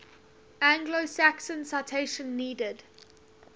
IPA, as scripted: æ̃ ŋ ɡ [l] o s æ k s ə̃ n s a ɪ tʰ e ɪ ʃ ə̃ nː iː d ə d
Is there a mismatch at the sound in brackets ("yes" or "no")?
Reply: no